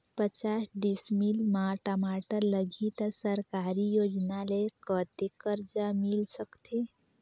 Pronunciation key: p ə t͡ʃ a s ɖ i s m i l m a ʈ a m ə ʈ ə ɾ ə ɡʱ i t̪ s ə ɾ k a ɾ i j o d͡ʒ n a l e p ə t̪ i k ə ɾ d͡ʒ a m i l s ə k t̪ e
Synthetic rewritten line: p ə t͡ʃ a s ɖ i s m i l m a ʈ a m a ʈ ə l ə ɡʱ i t̪ s ə ɾ k a ɾ i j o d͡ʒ n a l e k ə t̪ e k ə ɾ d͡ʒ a m i l s ə k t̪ e